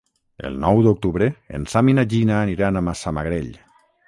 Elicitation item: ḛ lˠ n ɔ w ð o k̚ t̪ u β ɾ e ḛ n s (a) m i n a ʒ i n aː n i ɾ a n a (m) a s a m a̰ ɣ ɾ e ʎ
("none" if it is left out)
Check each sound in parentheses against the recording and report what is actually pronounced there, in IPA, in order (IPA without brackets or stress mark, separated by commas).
a, m